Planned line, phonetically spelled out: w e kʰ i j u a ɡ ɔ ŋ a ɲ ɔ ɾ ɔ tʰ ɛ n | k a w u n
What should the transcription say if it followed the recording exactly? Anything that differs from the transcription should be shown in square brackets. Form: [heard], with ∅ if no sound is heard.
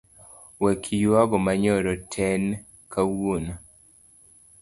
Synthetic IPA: w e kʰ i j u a ɡ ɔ [m] a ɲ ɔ ɾ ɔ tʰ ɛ n | k a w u n